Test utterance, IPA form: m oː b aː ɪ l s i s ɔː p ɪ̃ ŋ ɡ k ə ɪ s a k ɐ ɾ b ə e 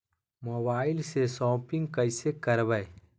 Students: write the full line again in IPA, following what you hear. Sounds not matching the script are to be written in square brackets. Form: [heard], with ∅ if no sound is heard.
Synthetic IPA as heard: m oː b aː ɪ l s [e] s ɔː p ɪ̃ ŋ ɡ k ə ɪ s [e] k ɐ ɾ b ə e